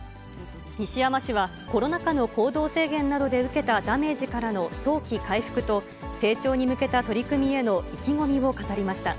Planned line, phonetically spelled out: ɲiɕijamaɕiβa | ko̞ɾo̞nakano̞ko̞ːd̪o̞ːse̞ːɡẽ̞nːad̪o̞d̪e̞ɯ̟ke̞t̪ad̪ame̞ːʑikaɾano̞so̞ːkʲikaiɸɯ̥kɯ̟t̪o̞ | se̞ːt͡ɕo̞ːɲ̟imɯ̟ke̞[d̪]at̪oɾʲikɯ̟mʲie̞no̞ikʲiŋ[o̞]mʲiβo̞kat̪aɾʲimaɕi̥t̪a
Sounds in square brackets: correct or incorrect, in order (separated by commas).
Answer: incorrect, correct